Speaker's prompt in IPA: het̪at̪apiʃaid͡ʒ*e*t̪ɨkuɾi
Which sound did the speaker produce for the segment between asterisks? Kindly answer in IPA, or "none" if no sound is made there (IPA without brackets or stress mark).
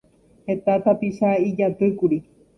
a